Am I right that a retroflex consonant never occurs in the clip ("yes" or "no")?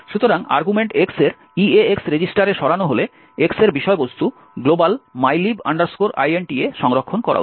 no